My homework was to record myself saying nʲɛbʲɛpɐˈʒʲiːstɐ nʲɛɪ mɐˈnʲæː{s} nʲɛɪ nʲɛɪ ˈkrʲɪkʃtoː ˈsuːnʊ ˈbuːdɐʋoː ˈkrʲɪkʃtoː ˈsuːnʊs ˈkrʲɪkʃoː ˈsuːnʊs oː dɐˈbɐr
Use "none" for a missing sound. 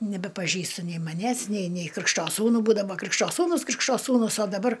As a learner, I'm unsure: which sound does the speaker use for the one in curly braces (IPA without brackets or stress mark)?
s